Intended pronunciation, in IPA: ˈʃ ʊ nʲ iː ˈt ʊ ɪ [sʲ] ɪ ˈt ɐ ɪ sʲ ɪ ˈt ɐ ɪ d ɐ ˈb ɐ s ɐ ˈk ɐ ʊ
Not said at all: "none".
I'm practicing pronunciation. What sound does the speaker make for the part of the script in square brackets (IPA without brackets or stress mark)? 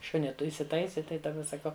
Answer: sʲ